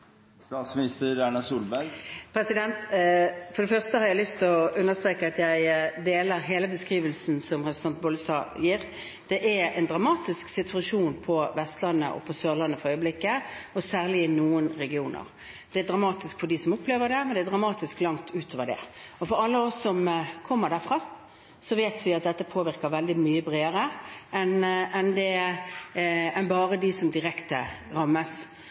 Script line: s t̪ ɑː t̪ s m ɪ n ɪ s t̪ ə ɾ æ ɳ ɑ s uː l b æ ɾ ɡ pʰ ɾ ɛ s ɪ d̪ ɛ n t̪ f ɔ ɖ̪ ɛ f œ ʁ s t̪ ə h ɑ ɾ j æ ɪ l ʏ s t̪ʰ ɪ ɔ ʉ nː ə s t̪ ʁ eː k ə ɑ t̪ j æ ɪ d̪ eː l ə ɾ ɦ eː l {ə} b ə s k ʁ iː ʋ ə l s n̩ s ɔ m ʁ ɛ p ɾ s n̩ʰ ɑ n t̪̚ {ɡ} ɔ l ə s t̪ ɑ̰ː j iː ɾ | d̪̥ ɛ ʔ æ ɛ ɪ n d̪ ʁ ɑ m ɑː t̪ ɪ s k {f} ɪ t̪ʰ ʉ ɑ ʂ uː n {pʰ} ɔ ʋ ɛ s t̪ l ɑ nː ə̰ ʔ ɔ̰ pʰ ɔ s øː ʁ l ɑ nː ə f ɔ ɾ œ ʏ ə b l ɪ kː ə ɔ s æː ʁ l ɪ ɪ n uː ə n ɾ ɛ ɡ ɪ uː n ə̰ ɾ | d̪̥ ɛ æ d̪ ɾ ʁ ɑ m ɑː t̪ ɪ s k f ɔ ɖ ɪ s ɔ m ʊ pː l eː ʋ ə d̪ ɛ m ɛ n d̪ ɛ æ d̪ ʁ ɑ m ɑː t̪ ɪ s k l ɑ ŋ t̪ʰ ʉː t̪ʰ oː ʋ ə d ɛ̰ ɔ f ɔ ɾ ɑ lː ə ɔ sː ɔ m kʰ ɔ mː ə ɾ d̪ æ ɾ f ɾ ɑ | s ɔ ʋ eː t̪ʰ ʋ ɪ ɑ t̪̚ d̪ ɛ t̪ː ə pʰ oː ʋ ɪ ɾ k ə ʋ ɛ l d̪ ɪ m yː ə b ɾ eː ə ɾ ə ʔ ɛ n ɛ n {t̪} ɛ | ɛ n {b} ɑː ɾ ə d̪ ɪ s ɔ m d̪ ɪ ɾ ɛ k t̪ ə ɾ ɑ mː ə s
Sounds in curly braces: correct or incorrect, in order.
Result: correct, incorrect, incorrect, correct, incorrect, correct

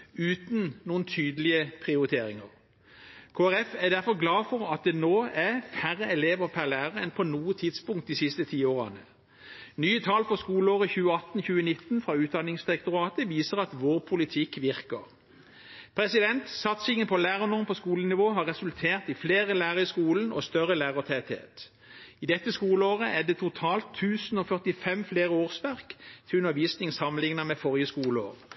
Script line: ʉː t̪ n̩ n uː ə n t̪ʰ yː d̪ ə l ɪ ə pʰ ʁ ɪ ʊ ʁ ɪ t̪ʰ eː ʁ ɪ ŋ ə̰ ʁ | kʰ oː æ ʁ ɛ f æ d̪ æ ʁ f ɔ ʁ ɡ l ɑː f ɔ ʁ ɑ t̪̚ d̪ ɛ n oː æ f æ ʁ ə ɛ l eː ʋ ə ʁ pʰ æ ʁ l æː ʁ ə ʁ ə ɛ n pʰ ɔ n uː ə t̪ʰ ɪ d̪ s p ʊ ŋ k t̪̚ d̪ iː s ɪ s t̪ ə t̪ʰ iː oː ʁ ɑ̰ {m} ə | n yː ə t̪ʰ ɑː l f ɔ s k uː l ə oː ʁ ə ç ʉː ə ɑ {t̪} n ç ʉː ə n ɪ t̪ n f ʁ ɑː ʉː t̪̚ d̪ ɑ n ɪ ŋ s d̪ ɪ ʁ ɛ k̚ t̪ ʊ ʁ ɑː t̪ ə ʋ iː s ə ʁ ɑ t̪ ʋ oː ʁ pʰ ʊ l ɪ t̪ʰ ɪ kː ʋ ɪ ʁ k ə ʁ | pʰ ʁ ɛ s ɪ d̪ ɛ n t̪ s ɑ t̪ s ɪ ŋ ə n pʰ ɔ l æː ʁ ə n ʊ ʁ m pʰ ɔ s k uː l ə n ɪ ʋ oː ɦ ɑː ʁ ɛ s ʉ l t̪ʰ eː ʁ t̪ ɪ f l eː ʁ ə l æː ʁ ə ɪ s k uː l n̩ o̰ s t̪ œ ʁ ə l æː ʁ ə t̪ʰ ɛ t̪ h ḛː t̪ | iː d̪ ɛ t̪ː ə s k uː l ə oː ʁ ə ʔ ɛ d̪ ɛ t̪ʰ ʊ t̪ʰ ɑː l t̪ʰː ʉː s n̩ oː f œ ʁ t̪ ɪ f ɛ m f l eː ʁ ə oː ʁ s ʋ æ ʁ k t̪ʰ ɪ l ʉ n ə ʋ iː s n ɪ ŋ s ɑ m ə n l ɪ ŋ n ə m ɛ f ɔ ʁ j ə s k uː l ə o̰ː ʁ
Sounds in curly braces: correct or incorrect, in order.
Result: incorrect, correct

